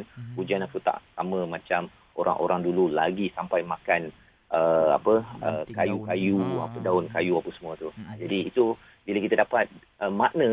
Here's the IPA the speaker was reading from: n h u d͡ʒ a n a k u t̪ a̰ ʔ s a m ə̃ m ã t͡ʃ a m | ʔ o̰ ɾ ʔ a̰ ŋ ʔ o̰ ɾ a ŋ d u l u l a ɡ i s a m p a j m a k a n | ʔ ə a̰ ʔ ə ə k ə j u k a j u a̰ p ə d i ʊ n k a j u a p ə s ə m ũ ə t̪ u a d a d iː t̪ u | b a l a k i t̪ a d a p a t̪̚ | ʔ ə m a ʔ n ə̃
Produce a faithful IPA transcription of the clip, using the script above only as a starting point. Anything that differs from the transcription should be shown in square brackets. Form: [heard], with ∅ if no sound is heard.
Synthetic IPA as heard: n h u d͡ʒ a n a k u t̪ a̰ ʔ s a m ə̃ m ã t͡ʃ a m | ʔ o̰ ɾ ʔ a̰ ŋ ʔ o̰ ɾ a ŋ d u l u l a ɡ i s a m p a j m a k a n | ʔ ə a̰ [p] ə ə k [a] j u k a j u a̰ p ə d [a] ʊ n k a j u a p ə s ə m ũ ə t̪ u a [d͡ʒ] a d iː t̪ u | b [i] l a k i t̪ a d a p a t̪̚ | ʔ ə m a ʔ n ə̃